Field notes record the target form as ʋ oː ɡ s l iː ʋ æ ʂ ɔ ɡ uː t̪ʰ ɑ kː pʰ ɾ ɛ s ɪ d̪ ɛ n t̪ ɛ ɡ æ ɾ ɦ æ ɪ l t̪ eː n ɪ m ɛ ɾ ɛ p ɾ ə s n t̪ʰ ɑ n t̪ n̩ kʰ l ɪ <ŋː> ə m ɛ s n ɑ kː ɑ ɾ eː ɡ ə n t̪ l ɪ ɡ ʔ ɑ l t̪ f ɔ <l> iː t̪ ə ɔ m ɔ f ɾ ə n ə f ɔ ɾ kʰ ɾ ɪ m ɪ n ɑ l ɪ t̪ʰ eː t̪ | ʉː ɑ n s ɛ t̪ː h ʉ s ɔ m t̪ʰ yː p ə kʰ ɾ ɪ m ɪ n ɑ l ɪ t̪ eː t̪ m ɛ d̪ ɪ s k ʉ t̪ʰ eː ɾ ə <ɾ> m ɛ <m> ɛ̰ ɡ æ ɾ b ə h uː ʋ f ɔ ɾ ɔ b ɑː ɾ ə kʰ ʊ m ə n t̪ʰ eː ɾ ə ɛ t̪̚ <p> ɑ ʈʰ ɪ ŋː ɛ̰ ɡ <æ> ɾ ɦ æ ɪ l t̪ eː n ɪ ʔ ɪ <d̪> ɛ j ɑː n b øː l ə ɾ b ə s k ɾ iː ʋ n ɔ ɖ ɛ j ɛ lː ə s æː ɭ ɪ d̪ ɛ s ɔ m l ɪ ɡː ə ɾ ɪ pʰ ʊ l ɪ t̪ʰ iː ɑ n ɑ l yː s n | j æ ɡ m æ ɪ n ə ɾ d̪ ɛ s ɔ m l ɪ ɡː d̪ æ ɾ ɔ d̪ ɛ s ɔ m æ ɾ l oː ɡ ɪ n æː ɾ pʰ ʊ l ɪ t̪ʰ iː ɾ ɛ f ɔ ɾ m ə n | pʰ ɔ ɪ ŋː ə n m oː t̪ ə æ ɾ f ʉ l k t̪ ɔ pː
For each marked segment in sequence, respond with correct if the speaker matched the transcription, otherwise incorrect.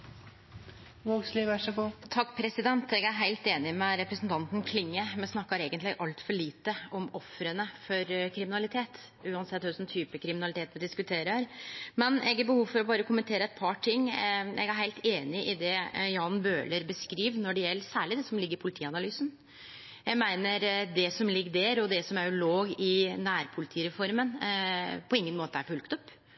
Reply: correct, incorrect, correct, incorrect, incorrect, correct, correct

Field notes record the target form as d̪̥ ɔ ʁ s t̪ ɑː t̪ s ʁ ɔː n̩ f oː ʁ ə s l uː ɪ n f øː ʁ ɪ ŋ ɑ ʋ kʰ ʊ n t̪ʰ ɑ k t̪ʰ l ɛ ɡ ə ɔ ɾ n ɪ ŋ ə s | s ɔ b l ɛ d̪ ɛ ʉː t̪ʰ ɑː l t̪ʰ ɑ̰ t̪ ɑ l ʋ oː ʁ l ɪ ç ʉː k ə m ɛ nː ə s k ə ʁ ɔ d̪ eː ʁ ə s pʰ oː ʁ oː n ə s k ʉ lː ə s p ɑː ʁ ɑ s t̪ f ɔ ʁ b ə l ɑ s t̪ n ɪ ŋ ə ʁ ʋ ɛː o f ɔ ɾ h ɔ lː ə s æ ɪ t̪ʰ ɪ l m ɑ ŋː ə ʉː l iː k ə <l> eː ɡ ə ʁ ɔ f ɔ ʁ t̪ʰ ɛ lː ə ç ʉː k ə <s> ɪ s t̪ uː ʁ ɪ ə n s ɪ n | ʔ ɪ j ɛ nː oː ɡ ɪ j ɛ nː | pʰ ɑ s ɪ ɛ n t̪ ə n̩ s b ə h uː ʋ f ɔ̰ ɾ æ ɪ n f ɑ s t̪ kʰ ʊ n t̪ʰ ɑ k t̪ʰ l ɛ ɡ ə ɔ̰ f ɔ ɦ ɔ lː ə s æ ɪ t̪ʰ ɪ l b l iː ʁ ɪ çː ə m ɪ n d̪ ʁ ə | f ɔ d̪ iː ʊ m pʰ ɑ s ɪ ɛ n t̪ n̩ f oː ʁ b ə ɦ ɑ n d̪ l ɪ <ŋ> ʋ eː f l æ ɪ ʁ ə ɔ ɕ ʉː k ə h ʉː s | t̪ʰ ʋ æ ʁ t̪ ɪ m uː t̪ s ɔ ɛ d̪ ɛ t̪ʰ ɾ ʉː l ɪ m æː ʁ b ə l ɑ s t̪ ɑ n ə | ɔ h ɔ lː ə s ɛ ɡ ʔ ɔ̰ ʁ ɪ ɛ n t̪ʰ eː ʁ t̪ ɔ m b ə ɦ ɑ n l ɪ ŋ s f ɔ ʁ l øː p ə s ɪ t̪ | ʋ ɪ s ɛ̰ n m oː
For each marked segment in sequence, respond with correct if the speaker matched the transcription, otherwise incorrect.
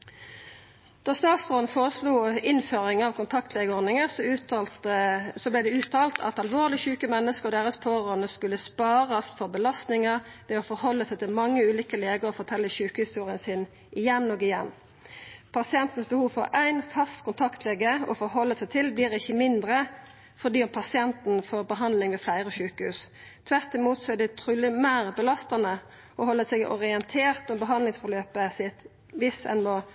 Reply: correct, incorrect, correct

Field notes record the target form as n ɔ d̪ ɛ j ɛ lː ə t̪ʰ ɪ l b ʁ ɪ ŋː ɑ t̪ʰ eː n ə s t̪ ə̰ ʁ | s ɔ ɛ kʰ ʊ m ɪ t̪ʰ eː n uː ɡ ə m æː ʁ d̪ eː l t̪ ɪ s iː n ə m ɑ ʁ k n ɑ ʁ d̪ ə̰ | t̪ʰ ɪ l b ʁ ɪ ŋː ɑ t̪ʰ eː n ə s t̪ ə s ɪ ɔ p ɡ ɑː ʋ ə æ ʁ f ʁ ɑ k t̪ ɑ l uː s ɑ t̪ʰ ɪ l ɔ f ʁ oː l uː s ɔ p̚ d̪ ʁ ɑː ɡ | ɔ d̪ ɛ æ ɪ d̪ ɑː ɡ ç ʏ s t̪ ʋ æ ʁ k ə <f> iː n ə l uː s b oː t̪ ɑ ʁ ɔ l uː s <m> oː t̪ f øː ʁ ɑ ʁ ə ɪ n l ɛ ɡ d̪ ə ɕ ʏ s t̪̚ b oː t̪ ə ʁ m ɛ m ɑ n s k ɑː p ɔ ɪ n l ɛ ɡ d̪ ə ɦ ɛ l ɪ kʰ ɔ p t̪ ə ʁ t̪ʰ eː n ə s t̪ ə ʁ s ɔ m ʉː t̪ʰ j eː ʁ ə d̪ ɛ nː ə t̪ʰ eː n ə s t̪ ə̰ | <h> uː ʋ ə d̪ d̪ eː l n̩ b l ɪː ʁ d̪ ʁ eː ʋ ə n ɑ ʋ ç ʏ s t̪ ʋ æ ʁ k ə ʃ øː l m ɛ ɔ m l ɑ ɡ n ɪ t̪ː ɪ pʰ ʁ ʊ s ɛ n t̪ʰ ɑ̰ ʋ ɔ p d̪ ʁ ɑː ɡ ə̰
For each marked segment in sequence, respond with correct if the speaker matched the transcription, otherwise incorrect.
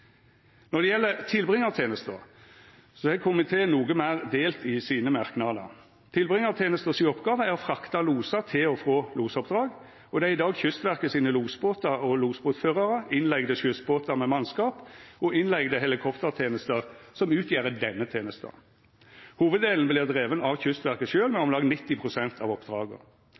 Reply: incorrect, incorrect, correct

